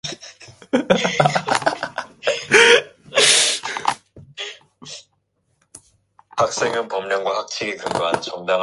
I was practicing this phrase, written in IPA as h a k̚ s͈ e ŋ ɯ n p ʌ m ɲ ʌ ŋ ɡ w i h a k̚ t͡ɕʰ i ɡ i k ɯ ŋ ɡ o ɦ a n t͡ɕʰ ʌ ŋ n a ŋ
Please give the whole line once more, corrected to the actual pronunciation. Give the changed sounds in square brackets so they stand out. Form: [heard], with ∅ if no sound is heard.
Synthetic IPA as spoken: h a k̚ s͈ e ŋ ɯ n p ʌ m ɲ ʌ ŋ ɡ w [a] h a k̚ t͡ɕʰ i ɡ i k ɯ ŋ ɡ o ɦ a n [t͡ɕ] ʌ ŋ [d] a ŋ